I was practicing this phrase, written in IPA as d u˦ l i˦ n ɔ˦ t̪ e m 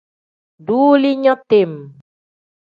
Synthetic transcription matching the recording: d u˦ l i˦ ɲ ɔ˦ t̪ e m